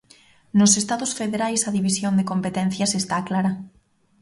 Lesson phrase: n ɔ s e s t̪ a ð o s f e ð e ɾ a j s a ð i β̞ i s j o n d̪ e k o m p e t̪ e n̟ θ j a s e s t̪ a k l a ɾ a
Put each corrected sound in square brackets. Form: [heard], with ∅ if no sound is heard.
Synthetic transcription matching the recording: n [o] s e s t̪ a ð o s f e ð e ɾ a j s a ð i β̞ i s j o n d̪ e k o m p e t̪ e n̟ θ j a s e s t̪ a k l a ɾ a